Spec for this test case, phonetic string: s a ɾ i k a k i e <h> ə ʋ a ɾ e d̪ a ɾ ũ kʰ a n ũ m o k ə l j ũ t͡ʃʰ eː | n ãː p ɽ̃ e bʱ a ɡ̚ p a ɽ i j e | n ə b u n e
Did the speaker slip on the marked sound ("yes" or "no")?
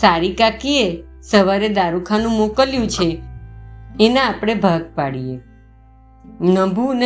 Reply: yes